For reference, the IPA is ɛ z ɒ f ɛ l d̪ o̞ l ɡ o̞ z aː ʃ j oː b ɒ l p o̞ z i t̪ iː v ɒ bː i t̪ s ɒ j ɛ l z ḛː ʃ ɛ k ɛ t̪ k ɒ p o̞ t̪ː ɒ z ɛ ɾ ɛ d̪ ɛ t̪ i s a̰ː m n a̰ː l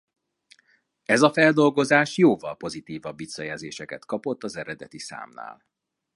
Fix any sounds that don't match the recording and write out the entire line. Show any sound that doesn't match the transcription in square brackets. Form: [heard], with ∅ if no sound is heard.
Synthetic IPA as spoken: ɛ z ɒ f ɛ l d̪ o̞ l ɡ o̞ z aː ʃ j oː [v] ɒ l p o̞ z i t̪ iː v ɒ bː i t̪ s ɒ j ɛ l z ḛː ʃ ɛ k ɛ t̪ k ɒ p o̞ t̪ː ɒ z ɛ ɾ ɛ d̪ ɛ t̪ i s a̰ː m n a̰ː l